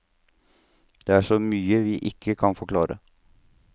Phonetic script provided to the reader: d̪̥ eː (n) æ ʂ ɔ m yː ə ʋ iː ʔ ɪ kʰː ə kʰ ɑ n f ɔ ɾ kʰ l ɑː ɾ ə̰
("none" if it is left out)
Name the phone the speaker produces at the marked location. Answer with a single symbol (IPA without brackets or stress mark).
none